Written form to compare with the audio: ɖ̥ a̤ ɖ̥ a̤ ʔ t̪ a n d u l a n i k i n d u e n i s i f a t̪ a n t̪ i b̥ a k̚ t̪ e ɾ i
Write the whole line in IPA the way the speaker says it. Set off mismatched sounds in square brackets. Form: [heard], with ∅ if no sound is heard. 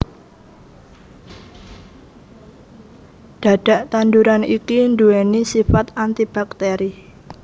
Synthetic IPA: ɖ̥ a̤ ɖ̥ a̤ ʔ t̪ a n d u [ɾ] a n i k i n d u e n i s i f a t̪ a n t̪ i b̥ a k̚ t̪ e ɾ i